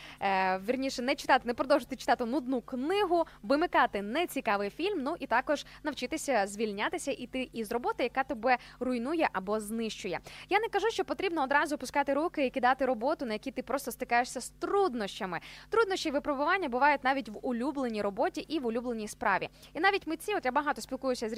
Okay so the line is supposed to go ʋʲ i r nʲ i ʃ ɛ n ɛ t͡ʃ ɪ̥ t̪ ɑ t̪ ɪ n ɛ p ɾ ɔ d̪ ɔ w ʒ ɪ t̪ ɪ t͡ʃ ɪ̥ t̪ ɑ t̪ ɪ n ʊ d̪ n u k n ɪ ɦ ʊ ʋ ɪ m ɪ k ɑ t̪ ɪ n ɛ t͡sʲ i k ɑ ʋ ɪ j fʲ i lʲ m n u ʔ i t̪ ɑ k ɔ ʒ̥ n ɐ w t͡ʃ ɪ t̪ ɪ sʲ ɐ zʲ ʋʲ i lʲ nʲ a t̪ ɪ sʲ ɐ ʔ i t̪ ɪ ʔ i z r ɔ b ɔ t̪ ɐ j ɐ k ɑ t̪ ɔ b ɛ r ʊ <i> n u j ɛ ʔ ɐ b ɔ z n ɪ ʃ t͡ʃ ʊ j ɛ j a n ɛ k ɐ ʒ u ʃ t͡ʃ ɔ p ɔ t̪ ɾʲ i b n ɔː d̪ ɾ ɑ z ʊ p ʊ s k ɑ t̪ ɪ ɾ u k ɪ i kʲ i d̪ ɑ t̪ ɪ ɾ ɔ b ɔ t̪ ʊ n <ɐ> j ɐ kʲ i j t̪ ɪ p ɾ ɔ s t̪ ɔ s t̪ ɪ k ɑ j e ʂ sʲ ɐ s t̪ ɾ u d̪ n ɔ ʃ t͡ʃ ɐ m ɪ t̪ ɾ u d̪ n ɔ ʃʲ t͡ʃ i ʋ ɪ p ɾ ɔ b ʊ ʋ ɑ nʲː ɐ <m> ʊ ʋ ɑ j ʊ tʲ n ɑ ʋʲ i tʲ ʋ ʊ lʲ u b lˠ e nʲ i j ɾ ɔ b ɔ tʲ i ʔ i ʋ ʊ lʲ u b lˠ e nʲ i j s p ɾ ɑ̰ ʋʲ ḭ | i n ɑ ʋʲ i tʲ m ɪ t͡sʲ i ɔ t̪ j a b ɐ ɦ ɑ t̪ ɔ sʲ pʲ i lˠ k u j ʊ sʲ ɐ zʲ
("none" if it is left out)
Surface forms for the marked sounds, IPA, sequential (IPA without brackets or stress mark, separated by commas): j, ɐ, b